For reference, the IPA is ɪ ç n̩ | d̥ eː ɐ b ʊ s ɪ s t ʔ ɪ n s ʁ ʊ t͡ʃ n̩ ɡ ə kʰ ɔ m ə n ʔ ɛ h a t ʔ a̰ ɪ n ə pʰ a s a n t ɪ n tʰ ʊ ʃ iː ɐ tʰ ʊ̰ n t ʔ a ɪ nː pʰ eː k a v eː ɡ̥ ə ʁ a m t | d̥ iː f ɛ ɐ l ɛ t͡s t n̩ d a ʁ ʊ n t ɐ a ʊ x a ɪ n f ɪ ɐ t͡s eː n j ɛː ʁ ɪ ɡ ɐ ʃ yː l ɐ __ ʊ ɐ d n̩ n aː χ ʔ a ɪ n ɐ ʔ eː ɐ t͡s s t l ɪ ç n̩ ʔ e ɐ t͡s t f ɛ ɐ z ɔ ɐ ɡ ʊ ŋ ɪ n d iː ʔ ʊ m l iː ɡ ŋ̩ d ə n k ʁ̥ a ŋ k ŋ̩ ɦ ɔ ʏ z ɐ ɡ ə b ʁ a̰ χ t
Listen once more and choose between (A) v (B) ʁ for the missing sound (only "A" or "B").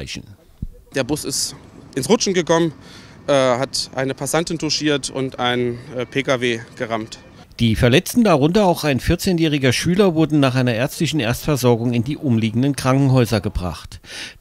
A